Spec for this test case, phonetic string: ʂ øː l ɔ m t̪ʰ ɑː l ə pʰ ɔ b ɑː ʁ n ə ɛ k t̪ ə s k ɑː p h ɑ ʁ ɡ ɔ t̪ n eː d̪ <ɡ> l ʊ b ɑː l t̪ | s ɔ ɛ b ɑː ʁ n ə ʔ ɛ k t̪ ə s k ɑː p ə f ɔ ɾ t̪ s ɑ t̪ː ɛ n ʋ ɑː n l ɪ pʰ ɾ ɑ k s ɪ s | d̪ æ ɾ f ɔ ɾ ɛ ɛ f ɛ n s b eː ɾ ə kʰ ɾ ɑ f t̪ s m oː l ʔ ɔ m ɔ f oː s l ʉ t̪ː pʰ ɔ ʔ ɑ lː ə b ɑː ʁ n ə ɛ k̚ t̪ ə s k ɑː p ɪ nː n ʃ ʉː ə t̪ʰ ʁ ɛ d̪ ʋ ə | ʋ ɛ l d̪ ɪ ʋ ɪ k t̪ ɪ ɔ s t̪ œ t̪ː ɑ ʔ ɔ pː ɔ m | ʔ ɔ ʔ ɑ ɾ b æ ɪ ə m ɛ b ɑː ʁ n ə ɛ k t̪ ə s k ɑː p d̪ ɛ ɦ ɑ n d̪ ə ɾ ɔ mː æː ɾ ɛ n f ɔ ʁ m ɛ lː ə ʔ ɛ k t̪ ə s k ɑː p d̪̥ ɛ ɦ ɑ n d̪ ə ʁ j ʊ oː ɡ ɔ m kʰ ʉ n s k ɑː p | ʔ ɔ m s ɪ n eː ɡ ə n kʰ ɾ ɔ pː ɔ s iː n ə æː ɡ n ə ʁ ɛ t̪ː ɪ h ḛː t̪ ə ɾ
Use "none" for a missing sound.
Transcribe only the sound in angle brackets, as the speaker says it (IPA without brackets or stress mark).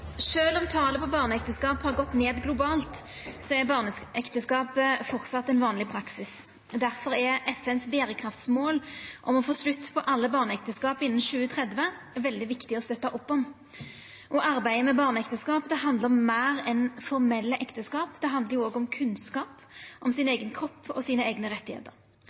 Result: ɡ